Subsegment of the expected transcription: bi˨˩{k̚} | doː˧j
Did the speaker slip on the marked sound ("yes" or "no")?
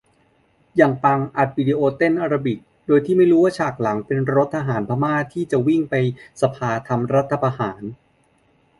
no